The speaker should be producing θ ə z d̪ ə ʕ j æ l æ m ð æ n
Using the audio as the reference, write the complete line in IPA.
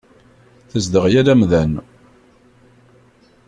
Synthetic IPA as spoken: θ ə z d̪ ə ʁ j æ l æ m ð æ n